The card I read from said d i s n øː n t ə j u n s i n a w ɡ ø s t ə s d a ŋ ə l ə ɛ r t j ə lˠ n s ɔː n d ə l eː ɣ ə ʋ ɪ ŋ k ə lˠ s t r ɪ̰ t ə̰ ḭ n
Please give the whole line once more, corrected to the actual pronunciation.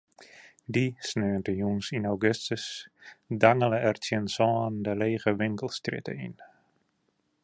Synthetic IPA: d i s n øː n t ə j u n s i n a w ɡ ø s t ə s d a ŋ ə l ə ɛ r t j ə n s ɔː n d ə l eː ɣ ə ʋ ɪ ŋ k ə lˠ s t r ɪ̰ t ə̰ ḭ n